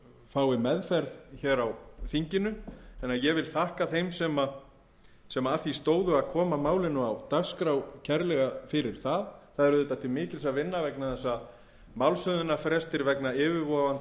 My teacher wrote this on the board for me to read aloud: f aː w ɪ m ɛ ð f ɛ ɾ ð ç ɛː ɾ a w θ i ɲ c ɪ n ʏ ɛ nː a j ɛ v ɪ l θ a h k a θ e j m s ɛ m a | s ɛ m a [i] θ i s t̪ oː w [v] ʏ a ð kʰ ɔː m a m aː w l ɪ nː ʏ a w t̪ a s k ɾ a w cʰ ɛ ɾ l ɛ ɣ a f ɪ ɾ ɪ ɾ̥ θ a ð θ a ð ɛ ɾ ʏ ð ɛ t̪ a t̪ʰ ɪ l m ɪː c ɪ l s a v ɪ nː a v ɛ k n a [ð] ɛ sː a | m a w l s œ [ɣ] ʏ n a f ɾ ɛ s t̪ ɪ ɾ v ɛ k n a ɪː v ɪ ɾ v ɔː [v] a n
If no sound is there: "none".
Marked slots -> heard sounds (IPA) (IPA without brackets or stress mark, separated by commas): a, ð, θ, ð, v